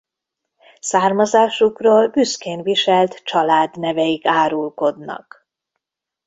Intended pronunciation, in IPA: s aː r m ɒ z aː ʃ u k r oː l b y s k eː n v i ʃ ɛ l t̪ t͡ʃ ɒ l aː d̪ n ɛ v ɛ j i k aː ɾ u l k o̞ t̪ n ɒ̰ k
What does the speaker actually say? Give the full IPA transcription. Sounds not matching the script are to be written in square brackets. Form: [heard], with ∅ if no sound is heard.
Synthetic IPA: s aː r m ɒ z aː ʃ u k r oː l b y s k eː n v i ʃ ɛ l t̪ t͡ʃ ɒ l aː d̪ n ɛ v ɛ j i k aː ɾ u l k o̞ [d̪] n ɒ̰ k